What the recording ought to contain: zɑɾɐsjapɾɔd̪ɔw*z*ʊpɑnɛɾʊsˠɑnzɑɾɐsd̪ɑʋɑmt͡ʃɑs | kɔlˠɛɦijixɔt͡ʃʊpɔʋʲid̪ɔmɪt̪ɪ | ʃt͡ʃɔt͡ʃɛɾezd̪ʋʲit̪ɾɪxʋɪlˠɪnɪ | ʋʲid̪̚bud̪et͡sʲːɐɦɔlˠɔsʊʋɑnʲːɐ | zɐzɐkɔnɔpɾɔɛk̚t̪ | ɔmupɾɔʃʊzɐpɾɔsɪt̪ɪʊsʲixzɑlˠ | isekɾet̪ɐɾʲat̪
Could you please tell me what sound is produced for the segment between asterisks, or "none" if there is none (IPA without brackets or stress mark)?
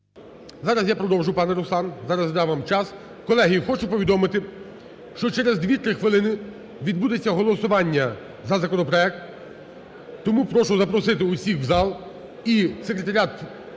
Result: ʒ